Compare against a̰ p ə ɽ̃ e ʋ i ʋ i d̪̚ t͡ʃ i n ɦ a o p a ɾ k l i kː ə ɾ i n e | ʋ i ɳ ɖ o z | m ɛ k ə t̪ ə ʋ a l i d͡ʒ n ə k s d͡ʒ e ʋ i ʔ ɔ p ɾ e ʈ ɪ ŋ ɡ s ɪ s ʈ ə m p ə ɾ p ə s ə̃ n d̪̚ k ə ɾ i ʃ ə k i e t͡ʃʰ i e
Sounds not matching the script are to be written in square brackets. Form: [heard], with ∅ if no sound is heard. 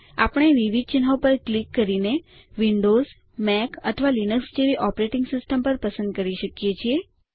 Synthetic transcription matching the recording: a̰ p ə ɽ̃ e ʋ i ʋ i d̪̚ t͡ʃ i n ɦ a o p [ə] ɾ k l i kː ə ɾ i n e | ʋ i ɳ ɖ o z | m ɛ k ə [t̪ʰ] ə ʋ a l i [∅] n ə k s d͡ʒ e ʋ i ʔ ɔ p ɾ e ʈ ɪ ŋ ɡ s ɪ s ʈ ə m p ə ɾ p ə s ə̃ n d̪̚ k ə ɾ i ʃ ə k [j] e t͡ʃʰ i e